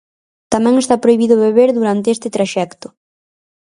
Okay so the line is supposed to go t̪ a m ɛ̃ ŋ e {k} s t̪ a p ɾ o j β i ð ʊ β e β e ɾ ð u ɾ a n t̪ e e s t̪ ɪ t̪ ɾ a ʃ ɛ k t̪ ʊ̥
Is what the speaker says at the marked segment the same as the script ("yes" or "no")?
no